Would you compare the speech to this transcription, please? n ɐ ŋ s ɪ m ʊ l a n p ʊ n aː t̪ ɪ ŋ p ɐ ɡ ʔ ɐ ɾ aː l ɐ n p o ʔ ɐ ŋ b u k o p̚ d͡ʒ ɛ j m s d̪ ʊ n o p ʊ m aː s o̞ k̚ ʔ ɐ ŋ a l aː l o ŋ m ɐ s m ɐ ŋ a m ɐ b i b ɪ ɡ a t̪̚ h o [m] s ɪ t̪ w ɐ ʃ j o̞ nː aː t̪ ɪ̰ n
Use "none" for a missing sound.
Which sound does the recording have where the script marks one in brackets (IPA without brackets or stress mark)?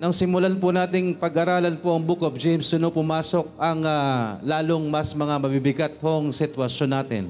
ŋ